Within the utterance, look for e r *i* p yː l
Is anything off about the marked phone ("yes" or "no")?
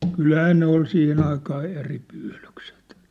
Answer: no